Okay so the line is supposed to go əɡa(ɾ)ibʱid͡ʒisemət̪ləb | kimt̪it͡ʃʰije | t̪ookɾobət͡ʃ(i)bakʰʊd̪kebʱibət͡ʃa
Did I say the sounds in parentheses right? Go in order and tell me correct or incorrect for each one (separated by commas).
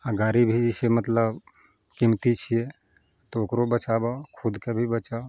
correct, incorrect